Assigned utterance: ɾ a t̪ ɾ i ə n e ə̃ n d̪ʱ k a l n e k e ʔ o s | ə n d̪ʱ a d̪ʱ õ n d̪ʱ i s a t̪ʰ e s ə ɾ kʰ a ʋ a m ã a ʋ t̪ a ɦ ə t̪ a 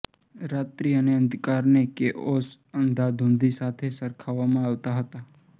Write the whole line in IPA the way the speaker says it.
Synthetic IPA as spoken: ɾ a t̪ ɾ i ə n e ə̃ n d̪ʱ k a ɾ n e k e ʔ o s | ə n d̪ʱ a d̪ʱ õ n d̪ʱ i s a t̪ʰ e s ə ɾ kʰ a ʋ a m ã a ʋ t̪ a ɦ ə t̪ a